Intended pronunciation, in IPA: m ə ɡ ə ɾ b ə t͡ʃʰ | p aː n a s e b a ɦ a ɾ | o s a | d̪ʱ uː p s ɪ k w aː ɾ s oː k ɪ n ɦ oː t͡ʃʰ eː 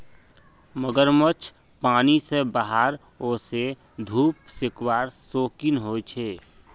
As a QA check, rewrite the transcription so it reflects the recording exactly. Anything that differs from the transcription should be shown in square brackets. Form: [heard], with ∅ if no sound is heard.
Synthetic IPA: m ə ɡ ə ɾ [m] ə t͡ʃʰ | p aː n [i] s e b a ɦ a ɾ | o s [e] | d̪ʱ uː p s ɪ k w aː ɾ s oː k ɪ n ɦ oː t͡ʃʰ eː

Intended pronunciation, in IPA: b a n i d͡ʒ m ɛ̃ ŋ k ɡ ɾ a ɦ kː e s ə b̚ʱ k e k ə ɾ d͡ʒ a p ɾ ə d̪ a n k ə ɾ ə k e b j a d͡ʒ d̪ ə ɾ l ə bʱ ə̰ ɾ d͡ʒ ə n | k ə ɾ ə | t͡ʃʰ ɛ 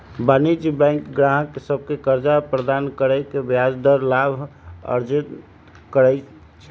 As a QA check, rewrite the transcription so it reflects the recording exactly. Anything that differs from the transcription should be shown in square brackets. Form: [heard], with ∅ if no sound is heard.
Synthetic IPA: b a n i d͡ʒ [b] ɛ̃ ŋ k ɡ ɾ a ɦ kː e s ə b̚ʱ k e k ə ɾ d͡ʒ a p ɾ ə d̪ a n k ə ɾ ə k e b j a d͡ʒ d̪ ə ɾ l [a] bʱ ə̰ ɾ d͡ʒ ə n | k ə ɾ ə | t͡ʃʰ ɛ

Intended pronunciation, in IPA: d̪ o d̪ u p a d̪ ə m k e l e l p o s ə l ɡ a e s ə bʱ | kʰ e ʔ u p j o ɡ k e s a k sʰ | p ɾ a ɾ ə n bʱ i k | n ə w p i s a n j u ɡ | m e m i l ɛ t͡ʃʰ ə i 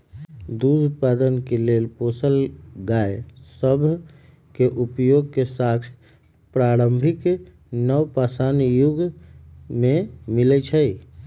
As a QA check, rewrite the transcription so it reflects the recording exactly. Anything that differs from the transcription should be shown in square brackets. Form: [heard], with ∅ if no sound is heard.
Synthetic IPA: d̪ [u] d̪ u p a d̪ ə [n] k e l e l p o s ə l ɡ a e s ə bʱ | [k] e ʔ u p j o ɡ k e s a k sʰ | p ɾ a ɾ ə [m] bʱ i k | n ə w p [a] s a n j u ɡ | m e m i l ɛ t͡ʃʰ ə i

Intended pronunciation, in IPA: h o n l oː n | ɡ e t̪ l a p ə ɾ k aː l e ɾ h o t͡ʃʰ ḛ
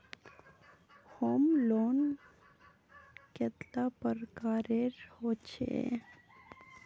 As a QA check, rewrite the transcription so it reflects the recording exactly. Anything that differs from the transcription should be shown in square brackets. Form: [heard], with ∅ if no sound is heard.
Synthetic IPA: h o [m] l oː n | [k] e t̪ l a p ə ɾ k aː [ɾ] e ɾ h o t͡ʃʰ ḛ

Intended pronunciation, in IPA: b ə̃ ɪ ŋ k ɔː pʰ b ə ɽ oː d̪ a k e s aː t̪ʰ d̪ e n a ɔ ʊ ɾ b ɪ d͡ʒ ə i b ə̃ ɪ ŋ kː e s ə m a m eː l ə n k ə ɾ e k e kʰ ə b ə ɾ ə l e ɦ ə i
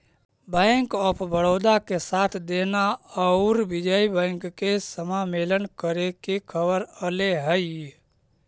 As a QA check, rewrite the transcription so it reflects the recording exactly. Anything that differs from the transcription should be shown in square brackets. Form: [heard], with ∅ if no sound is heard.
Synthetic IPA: b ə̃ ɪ ŋ k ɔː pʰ b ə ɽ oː d̪ a k e s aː t̪ʰ d̪ e n a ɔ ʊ ɾ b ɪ d͡ʒ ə i b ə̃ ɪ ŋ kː e s ə m a m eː l ə n k ə ɾ e k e kʰ ə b ə ɾ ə l e ɦ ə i

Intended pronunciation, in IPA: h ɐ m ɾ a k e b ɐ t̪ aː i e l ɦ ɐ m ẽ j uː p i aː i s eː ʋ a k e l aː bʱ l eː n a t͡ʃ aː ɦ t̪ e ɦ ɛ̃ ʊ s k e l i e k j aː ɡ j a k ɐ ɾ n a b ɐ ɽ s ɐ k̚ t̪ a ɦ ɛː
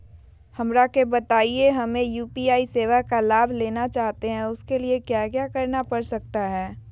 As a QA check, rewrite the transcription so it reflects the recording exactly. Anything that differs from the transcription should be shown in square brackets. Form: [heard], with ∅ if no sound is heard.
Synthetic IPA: h ɐ m ɾ a k e b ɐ t̪ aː i e [∅] ɦ ɐ m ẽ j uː p i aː i s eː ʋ a k [a] l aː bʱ l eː n a t͡ʃ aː ɦ t̪ e ɦ ɛ̃ ʊ s k e l i e k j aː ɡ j a k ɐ ɾ n a [p] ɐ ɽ s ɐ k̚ t̪ a ɦ ɛː

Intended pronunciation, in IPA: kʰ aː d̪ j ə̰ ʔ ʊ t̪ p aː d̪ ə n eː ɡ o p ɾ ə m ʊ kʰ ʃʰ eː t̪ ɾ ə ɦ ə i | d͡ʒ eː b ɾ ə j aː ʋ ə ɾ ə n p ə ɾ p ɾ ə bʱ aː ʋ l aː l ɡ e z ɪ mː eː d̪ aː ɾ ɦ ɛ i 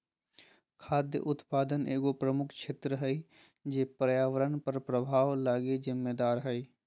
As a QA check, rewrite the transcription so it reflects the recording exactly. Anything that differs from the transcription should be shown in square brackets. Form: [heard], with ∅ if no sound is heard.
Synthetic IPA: kʰ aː d̪ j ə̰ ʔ ʊ t̪ p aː d̪ ə n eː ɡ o p ɾ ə m ʊ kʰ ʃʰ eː t̪ ɾ ə ɦ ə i | d͡ʒ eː [p] ɾ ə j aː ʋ ə ɾ ə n p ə ɾ p ɾ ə bʱ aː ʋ l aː [∅] ɡ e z ɪ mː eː d̪ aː ɾ ɦ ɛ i

